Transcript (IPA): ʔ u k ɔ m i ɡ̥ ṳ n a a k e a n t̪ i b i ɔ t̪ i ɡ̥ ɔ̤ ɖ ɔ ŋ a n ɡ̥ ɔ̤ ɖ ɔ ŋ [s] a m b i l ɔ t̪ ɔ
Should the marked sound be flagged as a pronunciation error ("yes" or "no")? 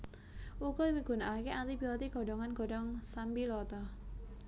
no